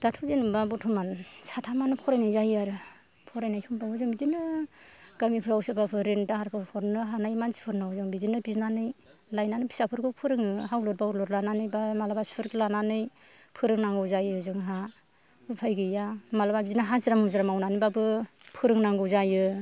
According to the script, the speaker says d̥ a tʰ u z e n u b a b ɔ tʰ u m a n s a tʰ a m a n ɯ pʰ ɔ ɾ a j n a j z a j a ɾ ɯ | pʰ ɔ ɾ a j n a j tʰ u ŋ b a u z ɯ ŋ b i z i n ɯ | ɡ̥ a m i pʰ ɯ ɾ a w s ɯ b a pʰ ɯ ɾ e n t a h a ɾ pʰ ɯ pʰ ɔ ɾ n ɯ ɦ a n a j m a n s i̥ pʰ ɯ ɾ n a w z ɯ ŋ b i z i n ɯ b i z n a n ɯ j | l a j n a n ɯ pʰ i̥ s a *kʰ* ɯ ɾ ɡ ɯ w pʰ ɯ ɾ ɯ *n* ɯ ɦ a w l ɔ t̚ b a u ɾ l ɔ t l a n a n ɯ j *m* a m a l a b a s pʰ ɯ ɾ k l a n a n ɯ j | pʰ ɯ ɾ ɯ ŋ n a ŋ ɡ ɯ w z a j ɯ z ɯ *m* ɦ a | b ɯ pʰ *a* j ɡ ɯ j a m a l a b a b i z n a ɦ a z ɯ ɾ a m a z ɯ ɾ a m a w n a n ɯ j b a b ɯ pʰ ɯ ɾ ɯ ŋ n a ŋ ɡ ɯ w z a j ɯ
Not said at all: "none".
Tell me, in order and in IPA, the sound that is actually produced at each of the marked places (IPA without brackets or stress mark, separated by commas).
pʰ, ŋ, b, ŋ, a